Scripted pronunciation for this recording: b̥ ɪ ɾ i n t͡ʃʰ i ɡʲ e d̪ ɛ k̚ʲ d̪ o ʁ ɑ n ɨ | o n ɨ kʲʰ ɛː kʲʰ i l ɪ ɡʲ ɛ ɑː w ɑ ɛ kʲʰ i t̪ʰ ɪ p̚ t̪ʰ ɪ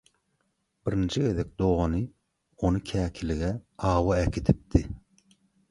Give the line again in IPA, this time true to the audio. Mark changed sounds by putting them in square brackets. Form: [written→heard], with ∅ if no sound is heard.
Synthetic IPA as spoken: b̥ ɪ ɾ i n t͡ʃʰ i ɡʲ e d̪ ɛ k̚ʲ d̪ o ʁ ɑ n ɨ | o n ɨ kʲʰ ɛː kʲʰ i l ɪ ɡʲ ɛ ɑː w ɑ ɛ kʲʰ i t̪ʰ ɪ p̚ t̪ʰ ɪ